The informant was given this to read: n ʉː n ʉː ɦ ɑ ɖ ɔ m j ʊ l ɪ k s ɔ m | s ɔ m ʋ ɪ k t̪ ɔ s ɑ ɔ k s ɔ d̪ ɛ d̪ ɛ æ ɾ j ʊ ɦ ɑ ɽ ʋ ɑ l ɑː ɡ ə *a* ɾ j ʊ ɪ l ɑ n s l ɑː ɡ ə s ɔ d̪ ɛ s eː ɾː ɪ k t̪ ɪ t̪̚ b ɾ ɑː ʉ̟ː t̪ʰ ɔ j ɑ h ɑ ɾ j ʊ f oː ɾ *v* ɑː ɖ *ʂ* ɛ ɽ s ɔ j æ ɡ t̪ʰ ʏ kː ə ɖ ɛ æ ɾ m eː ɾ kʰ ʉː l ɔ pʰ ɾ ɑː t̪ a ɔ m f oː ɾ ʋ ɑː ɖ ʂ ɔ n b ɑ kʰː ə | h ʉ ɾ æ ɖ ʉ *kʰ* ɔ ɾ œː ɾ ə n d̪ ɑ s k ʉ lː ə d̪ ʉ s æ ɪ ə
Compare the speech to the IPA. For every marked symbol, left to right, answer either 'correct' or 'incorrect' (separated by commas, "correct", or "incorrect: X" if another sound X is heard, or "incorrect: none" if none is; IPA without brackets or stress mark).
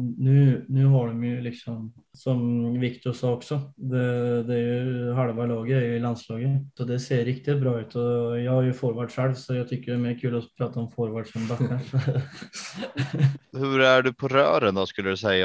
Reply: incorrect: æ, incorrect: ʋ, correct, incorrect: pʰ